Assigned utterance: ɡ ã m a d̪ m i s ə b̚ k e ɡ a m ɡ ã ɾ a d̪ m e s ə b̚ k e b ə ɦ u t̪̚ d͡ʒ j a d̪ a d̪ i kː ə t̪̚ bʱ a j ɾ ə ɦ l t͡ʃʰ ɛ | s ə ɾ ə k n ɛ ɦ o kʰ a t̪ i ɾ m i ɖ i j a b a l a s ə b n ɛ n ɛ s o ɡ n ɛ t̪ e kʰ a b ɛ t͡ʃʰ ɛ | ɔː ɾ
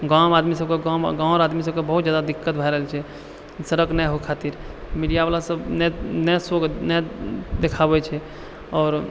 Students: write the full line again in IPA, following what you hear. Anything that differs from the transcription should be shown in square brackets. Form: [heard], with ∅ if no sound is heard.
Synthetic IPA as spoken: ɡ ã m a d̪ m i s ə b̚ k e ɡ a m ɡ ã ɾ a d̪ m [i] s ə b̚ k e b ə ɦ u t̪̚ d͡ʒ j a d̪ a d̪ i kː ə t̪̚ bʱ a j ɾ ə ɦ l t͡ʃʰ ɛ | s ə ɾ ə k n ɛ ɦ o kʰ a t̪ i ɾ m i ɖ i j a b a l a s ə b n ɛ n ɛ s o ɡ n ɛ [d̪] e kʰ a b ɛ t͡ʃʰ ɛ | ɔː ɾ